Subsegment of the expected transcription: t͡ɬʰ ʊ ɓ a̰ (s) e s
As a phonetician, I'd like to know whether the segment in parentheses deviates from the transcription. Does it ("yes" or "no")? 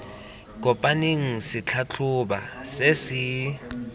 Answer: no